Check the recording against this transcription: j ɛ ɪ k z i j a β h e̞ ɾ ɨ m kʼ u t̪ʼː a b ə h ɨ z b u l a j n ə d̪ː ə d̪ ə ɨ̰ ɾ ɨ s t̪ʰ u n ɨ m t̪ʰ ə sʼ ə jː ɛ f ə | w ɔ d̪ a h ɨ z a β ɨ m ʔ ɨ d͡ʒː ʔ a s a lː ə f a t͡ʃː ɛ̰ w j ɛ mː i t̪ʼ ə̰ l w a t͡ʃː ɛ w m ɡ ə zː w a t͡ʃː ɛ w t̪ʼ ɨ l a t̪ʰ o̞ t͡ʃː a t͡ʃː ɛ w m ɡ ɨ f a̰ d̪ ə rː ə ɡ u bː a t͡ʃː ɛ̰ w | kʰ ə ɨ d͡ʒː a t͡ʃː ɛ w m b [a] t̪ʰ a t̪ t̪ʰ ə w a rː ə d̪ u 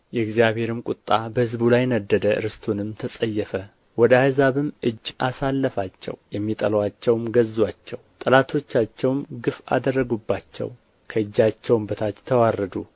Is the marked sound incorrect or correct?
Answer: incorrect